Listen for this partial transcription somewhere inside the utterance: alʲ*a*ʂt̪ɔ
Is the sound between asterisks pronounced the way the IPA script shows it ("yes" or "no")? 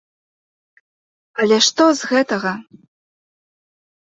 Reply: no